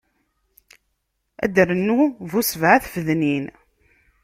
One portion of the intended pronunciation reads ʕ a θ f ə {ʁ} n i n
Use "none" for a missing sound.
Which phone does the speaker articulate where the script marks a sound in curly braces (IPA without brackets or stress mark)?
ð